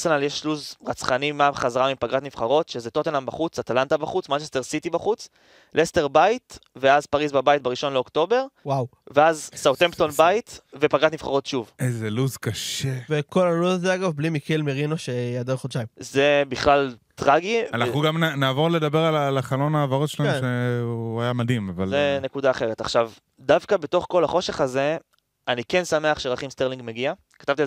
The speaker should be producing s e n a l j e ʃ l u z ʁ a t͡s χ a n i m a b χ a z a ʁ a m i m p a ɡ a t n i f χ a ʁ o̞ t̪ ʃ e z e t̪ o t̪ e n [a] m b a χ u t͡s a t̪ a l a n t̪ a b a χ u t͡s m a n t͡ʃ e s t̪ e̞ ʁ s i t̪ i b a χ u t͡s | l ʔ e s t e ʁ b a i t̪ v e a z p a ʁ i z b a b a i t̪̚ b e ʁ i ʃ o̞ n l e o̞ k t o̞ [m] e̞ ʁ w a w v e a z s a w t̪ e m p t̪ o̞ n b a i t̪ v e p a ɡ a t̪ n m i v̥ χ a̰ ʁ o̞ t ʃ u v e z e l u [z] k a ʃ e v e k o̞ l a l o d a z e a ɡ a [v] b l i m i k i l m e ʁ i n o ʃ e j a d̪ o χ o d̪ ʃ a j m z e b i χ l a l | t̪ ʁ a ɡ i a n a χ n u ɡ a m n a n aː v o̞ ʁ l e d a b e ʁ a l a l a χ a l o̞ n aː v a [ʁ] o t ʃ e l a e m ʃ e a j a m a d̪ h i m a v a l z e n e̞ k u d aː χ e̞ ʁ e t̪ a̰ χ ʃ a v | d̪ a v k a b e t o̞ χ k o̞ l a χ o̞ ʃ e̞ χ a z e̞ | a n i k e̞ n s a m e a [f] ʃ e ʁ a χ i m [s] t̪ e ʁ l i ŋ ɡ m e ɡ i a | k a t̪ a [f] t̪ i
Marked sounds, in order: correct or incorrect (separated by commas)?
correct, incorrect, correct, correct, correct, incorrect, correct, incorrect